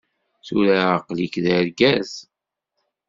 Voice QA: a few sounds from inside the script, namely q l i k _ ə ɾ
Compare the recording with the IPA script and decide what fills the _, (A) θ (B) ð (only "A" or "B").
B